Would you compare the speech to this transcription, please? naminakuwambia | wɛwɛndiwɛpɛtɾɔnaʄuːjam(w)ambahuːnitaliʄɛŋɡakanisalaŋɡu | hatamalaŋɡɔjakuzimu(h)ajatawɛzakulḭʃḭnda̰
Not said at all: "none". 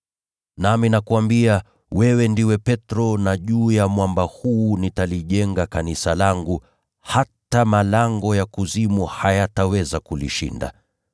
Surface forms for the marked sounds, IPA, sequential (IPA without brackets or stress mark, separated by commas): w, h